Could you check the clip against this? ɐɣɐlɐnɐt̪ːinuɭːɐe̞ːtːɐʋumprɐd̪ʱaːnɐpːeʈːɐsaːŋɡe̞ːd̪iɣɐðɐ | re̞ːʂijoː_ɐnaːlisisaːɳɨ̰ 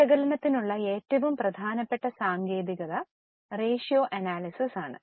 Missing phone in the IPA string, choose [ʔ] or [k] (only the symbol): ʔ